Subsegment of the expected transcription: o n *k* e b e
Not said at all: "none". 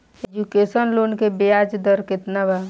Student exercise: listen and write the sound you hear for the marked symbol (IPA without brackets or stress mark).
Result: k